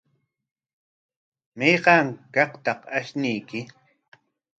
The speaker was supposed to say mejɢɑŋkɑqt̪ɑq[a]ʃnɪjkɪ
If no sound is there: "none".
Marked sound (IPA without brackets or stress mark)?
a